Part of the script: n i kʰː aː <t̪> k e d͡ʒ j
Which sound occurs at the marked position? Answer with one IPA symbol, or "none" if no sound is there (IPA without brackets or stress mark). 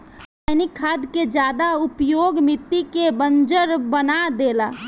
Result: d̪